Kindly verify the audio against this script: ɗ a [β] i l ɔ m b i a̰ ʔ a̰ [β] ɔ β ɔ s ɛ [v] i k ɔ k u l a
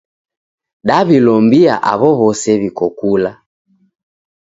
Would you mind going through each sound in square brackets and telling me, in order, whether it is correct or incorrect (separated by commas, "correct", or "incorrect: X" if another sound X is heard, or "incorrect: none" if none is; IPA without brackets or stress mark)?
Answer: correct, correct, incorrect: β